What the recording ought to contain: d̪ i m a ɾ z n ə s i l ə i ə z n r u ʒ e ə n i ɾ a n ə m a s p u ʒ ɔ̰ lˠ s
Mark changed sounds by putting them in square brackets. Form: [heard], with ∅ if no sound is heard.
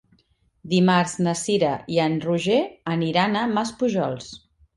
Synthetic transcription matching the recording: d̪ i m a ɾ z n ə s i [ɾ] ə i ə [∅] n r u ʒ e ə n i ɾ a n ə m a s p u ʒ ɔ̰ lˠ s